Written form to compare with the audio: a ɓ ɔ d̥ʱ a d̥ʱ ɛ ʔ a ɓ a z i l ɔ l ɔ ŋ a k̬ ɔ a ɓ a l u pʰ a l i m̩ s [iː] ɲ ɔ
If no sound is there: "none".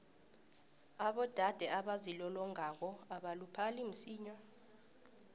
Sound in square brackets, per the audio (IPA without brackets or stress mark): iː